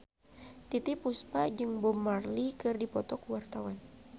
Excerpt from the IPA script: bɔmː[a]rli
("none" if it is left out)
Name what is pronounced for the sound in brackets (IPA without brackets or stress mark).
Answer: a